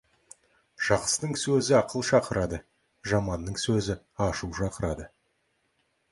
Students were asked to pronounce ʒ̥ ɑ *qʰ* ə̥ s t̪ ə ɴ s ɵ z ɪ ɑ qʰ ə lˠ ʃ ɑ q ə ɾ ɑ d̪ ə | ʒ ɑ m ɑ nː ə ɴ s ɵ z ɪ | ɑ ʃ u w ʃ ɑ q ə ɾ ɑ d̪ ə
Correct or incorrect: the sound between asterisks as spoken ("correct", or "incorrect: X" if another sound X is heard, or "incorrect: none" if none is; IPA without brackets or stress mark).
incorrect: q